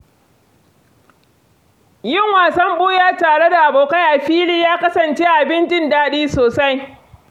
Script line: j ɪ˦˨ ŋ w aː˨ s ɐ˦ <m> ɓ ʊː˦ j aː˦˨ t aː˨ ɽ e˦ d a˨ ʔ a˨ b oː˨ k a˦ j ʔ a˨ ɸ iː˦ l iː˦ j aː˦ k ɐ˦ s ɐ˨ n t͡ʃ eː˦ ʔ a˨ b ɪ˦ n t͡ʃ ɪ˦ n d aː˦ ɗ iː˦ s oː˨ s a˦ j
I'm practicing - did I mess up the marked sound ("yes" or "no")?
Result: no